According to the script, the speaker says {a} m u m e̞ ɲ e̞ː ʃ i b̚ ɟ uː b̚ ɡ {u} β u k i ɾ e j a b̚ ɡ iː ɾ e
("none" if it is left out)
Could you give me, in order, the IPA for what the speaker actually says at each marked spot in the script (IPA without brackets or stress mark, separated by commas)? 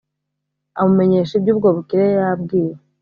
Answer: a, o